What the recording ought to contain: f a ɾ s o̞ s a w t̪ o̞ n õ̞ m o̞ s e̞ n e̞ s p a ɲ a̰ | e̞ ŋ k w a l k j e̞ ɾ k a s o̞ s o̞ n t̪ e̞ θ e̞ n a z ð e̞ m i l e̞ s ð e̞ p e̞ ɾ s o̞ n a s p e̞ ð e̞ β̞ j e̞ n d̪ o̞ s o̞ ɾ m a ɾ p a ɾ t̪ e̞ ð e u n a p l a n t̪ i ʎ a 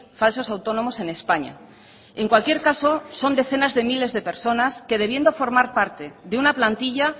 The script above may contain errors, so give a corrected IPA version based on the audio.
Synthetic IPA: f a l s o̞ s a w t̪ o̞ n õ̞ m o̞ s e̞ n e̞ s p a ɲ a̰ | e̞ ŋ k w a l k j e̞ ɾ k a s o̞ s o̞ n d̪ e̞ θ e̞ n a z ð e̞ m i l e̞ z ð e̞ p e̞ ɾ s o̞ n a s k e̞ ð e̞ β̞ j e̞ n d̪ o̞ f o̞ ɾ m a ɾ p a ɾ t̪ e̞ ð e u n a p l a n t̪ i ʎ a

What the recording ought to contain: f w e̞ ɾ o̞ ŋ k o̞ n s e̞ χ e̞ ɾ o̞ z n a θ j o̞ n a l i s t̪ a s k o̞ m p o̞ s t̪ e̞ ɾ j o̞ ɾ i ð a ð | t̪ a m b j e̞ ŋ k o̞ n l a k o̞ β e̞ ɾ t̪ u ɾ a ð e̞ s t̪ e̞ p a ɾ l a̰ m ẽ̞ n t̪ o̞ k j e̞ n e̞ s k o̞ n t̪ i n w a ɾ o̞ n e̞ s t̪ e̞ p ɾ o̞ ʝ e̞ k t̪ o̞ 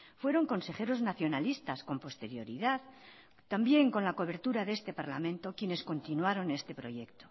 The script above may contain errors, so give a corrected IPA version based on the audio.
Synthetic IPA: f w e̞ ɾ o̞ ŋ k o̞ n s e̞ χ e̞ ɾ o̞ z n a θ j o̞ n a l i s t̪ a s k o̞ m p o̞ s t̪ e̞ ɾ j o̞ ɾ i ð a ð | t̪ a m b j e̞ ŋ k o̞ n l a k o̞ β e̞ ɾ t̪ u ɾ a ð e̞ s t̪ e̞ p a ɾ l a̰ m ẽ̞ n t̪ o̞ k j e̞ n e̞ s k o̞ n t̪ i n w a ɾ o̞ n e̞ s t̪ e̞ p ɾ o̞ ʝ e̞ k t̪ o̞

